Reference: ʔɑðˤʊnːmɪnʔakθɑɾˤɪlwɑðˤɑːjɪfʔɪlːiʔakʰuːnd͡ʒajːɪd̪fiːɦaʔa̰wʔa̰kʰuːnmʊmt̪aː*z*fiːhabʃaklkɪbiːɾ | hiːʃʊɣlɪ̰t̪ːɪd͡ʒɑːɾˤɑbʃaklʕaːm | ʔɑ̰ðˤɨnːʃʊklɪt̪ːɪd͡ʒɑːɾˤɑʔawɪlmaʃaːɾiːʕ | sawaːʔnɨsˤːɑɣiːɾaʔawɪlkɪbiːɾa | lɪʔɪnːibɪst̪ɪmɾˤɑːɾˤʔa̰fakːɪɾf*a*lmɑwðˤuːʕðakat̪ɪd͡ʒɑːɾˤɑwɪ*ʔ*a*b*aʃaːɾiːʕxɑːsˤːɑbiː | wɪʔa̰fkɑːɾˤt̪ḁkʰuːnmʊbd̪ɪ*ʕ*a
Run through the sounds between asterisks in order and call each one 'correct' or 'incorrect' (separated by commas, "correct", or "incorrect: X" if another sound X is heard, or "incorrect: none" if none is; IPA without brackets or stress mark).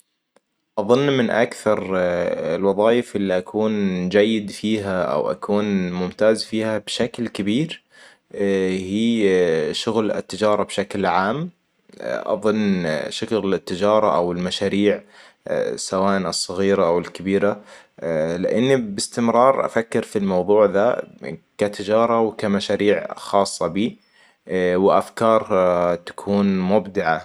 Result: correct, incorrect: i, incorrect: k, incorrect: m, correct